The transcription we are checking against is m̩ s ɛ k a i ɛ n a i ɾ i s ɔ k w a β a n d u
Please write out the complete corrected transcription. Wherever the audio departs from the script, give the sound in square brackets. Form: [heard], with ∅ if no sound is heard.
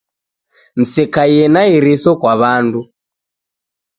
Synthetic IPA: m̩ s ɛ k a [j] ɛ n a i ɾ i s ɔ k w a β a n d u